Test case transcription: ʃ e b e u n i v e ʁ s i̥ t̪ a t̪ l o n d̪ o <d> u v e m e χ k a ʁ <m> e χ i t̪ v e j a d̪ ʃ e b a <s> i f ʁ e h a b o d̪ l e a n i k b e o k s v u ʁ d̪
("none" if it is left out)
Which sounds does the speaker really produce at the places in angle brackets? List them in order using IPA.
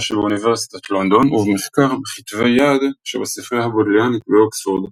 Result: n, b, s

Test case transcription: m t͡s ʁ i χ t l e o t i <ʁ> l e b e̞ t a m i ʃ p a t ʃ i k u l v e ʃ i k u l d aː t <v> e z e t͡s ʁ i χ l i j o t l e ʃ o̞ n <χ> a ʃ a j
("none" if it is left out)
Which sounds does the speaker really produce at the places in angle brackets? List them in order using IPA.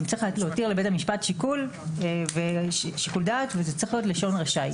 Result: ʁ, v, ʁ

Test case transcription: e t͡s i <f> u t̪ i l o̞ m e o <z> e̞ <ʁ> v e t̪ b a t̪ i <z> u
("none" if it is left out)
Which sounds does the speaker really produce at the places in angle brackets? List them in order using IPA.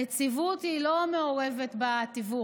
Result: v, ʁ, none, v

